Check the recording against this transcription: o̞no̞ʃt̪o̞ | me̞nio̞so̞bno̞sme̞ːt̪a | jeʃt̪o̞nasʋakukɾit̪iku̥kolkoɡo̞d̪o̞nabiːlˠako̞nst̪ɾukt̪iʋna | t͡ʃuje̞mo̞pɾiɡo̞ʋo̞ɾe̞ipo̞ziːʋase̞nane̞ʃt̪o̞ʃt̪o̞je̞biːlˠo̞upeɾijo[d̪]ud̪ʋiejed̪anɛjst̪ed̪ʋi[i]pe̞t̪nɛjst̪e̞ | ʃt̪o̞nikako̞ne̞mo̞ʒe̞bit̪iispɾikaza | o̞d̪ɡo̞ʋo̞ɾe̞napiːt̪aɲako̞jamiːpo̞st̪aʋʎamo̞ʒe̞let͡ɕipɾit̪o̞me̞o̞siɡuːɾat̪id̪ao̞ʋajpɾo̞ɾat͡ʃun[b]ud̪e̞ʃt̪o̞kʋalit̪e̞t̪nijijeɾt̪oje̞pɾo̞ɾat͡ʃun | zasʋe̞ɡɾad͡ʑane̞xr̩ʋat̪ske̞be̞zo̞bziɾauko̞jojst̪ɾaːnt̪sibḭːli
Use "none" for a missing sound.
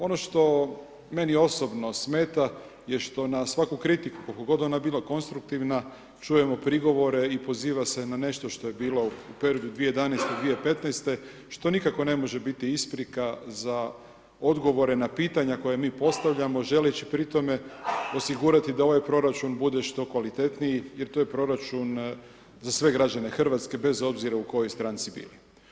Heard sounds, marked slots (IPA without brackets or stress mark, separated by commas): d̪, e, b